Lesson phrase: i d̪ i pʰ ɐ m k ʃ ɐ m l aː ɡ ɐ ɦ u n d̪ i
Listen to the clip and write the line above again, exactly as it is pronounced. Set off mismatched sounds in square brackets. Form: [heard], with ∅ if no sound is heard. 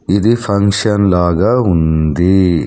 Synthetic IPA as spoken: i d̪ i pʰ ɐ [ŋ] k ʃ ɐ [n] l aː ɡ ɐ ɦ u n d̪ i